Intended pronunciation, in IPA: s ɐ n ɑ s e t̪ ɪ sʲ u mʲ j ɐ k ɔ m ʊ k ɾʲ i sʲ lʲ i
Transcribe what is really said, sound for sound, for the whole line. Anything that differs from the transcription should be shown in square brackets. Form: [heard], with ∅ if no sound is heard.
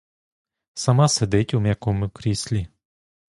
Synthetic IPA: s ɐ [m] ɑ s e [d̪] ɪ [tʲ] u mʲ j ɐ k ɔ m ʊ k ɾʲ i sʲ lʲ i